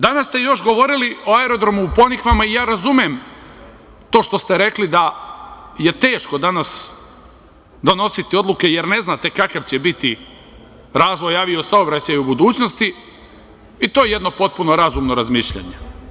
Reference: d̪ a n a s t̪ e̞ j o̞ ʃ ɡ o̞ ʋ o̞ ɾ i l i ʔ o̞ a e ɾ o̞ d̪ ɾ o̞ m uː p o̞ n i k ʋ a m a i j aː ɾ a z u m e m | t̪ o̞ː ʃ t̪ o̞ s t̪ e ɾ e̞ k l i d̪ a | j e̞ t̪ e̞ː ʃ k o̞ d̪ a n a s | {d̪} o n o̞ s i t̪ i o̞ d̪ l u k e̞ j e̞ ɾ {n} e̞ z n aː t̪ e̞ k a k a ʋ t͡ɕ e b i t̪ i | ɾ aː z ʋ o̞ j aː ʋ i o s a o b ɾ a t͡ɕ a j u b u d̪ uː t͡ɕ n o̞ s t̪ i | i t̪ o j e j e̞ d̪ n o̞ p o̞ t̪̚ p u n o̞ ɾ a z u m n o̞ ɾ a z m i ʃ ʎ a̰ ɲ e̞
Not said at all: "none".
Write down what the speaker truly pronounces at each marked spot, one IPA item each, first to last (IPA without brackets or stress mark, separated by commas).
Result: d̪, n